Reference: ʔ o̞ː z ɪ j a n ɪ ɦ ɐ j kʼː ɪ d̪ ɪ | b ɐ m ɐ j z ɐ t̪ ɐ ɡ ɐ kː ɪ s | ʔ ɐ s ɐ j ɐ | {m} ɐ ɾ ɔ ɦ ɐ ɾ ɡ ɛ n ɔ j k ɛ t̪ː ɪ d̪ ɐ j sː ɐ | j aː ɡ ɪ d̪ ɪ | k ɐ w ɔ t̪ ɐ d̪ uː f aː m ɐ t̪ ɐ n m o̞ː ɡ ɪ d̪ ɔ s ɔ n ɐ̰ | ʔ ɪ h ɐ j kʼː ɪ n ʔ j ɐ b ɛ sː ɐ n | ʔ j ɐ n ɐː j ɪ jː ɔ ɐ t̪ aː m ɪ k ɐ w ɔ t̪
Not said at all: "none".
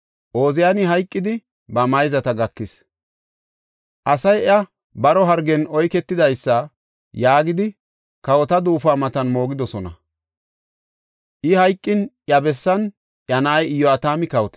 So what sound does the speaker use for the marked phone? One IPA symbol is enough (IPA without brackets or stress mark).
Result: b